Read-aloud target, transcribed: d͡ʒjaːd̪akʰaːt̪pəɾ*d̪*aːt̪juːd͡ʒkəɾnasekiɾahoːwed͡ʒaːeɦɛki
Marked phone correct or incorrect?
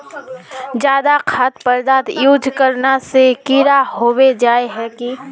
correct